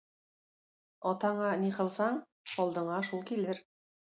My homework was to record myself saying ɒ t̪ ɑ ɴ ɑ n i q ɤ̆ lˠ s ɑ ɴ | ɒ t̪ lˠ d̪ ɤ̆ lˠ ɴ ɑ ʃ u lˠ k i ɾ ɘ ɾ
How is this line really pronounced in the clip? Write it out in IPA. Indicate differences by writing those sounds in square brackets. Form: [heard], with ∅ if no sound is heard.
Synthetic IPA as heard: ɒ t̪ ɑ ɴ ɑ n i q ɤ̆ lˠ s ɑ ɴ | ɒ [∅] lˠ d̪ ɤ̆ [∅] ɴ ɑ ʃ u lˠ k i [l] ɘ ɾ

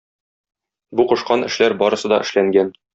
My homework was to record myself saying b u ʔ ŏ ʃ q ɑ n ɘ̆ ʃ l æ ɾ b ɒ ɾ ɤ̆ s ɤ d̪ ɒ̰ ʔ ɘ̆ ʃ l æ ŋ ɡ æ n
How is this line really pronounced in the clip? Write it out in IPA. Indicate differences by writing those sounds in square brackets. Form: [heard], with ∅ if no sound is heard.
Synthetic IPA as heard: b u [q] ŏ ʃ q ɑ n ɘ̆ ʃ l æ ɾ b ɒ ɾ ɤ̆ s ɤ d̪ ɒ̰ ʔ ɘ̆ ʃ l æ ŋ ɡ æ n

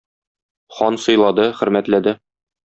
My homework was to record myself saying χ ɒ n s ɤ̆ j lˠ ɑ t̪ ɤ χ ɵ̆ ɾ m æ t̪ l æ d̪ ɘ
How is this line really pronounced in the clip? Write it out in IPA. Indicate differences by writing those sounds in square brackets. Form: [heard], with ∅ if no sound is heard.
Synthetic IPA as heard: χ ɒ n s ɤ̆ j lˠ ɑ [d̪] ɤ χ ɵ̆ ɾ m æ t̪ l æ d̪ ɘ

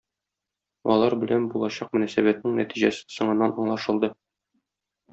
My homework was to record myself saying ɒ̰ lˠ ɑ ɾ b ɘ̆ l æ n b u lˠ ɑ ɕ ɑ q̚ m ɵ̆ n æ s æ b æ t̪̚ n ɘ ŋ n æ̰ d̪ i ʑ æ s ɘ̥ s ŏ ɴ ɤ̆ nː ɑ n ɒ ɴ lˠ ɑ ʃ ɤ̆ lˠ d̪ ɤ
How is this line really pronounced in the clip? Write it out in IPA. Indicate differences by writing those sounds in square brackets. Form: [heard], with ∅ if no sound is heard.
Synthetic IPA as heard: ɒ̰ lˠ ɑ ɾ b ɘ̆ l æ n b u lˠ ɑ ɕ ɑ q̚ m ɵ̆ n æ s æ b æ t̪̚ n ɘ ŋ n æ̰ [t̪] i ʑ æ s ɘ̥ s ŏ ɴ ɤ̆ nː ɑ n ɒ ɴ lˠ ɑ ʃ ɤ̆ lˠ d̪ ɤ

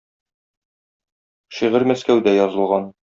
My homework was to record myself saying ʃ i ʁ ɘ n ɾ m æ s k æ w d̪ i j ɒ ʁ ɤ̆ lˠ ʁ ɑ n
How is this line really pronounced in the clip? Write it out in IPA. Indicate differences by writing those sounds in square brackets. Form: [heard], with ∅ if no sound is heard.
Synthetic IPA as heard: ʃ i ʁ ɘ [∅] ɾ m æ s k æ w d̪ [æ] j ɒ [z] ɤ̆ lˠ ʁ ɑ n

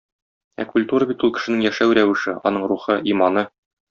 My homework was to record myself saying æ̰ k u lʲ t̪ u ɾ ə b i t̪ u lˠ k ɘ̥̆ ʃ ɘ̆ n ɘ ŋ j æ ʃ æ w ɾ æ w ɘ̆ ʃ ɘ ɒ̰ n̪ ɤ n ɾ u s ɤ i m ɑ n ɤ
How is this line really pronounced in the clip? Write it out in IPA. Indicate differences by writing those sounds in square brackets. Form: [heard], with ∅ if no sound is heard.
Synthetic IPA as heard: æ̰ k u lʲ t̪ u ɾ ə b i t̪ u lˠ k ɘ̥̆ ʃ ɘ̆ n ɘ ŋ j æ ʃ æ w ɾ æ w ɘ̆ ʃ ɘ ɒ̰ n̪ ɤ [ɴ] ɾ u [χ] ɤ i m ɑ n ɤ

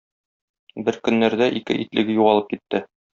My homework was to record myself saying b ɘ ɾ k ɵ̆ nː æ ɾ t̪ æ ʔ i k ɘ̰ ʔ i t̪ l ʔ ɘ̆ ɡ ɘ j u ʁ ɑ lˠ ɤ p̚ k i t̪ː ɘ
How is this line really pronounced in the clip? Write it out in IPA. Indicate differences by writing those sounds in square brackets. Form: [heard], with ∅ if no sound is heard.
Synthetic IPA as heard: b ɘ ɾ k ɵ̆ nː æ ɾ [d̪] æ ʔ i k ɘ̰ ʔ i t̪ l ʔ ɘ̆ ɡ ɘ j u ʁ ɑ lˠ ɤ p̚ k i t̪ː ɘ

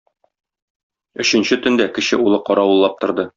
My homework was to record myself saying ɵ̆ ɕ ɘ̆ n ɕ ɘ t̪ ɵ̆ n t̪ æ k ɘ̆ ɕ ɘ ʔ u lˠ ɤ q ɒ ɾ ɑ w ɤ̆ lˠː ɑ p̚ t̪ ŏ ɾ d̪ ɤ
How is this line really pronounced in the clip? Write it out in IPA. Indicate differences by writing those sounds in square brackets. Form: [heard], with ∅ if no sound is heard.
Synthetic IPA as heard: ɵ̆ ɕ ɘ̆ n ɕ ɘ t̪ ɵ̆ n [d̪] æ k ɘ̆ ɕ ɘ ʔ u lˠ ɤ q ɒ ɾ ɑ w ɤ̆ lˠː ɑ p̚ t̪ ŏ ɾ d̪ ɤ

